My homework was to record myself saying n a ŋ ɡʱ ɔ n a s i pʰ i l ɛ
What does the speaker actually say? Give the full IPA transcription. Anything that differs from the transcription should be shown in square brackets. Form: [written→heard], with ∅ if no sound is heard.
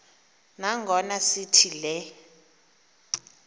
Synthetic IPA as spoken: n a ŋ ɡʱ ɔ n a s i [pʰ→tʰ] i l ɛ